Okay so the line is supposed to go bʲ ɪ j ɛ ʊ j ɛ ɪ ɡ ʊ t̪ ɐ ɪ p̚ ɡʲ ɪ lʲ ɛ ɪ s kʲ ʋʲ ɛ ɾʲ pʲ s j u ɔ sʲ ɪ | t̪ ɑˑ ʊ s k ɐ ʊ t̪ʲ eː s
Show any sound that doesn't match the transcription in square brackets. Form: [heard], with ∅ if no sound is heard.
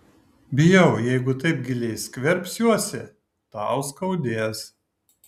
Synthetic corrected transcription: bʲ ɪ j ɛ ʊ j ɛ ɪ ɡ ʊ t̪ ɐ ɪ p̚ ɡʲ ɪ lʲ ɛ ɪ s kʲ ʋʲ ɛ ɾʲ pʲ s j u ɔ sʲ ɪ | t̪ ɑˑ ʊ s k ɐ ʊ [d̪ʲ] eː s